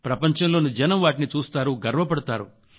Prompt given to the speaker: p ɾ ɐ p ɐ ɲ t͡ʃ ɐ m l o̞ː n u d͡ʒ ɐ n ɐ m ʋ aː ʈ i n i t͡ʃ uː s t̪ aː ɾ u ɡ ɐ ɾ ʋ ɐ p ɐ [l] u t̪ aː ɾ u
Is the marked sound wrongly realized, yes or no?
yes